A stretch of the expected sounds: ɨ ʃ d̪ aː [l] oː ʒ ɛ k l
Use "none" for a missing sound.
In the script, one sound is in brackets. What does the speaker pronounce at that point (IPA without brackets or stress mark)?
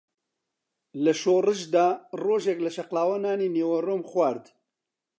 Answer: r